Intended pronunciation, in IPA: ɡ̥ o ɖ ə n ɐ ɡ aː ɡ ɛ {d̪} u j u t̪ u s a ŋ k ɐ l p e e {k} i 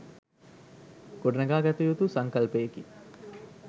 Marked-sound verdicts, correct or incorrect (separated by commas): incorrect, correct